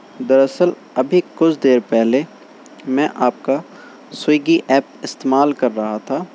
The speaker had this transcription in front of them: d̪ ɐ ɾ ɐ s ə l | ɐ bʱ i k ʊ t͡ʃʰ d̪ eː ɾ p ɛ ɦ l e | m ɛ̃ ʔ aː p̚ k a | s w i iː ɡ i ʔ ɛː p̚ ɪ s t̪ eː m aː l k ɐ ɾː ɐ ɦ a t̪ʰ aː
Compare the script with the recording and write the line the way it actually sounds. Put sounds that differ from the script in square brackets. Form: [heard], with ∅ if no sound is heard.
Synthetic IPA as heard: d̪ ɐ ɾ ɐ s ə l | ɐ bʱ i k ʊ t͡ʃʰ d̪ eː ɾ p ɛ ɦ l e | m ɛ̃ ʔ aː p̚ k a | s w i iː ɡ i ʔ ɛː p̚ ɪ s t̪ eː m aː l k ɐ ɾː ɐ ɦ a t̪ʰ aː